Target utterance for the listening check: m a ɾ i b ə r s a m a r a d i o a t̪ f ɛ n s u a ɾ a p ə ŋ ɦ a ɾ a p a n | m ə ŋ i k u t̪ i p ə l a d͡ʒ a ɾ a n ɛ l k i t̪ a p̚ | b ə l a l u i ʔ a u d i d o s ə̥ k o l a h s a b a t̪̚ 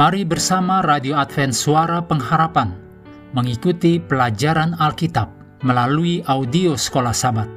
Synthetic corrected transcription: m a ɾ i b ə r s a m a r a d i o a t̪ f ɛ n s u a ɾ a p ə ŋ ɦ a ɾ a p a n | m ə ŋ i k u t̪ i p ə l a d͡ʒ a ɾ a n a l k i t̪ a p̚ | m ə l a l u i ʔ a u d i o s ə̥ k o l a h s a b a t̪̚